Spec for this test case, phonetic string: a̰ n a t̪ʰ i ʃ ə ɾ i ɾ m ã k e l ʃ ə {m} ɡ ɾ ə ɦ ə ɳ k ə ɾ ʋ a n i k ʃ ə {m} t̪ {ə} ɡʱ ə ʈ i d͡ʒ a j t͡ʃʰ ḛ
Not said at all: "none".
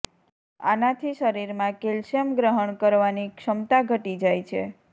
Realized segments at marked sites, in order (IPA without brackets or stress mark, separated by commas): m, m, a